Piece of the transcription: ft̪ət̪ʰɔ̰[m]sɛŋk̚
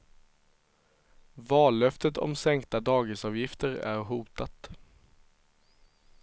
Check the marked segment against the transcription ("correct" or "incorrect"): correct